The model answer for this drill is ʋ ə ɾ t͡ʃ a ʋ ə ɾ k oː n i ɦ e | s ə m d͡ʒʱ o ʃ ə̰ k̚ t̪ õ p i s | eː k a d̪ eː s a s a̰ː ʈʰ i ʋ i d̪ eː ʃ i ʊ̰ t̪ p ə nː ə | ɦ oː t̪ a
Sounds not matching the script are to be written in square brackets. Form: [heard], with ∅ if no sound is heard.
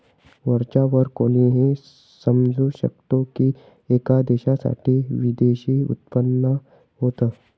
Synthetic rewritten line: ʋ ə ɾ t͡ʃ a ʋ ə ɾ k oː n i ɦ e | s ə m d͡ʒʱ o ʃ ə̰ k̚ t̪ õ [k] i [∅] | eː k a d̪ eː [ʃ] a s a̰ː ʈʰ i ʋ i d̪ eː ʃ i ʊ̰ t̪ p ə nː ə | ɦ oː t̪ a